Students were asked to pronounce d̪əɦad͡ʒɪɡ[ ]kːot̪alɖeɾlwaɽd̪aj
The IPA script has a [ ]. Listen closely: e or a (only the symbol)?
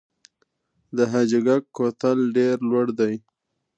a